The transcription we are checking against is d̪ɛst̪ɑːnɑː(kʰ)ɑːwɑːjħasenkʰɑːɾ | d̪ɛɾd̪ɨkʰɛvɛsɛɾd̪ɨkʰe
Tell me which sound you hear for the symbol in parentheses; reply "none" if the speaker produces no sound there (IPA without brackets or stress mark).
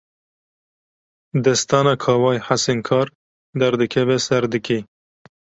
kʰ